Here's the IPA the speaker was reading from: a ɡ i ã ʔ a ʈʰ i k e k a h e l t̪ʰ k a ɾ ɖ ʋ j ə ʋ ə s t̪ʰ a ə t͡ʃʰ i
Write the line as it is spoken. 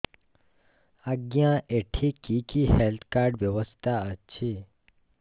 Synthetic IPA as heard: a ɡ j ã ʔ e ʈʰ i k i k i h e l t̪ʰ k a ɾ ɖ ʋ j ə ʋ ə s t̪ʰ a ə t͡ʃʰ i